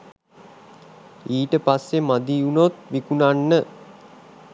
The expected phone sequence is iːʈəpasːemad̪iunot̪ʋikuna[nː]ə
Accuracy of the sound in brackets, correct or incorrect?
correct